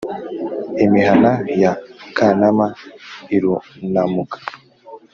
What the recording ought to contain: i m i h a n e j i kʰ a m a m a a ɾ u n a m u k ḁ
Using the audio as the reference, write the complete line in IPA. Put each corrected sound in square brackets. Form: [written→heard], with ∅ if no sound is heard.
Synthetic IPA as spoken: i m i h a n [e→a] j [i→a] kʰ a [m→n] a m a [a→i] ɾ u n a m u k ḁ